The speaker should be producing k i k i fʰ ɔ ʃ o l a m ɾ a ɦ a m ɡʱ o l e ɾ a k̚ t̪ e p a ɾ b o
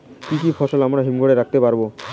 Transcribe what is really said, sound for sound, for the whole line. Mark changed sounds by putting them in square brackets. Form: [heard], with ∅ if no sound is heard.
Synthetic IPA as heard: k i k i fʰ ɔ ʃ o l a m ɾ a ɦ [i] m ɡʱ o [ɽ] e ɾ a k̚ t̪ e p a ɾ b o